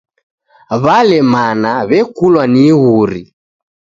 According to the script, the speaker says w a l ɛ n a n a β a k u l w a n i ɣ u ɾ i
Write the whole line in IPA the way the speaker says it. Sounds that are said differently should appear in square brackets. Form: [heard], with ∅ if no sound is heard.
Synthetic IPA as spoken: [β] a l ɛ [m] a n a β [ɛ] k u l w a n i ɣ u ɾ i